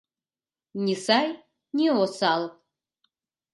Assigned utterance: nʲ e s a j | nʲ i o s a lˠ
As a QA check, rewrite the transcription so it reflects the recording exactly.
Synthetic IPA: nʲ i s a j | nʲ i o s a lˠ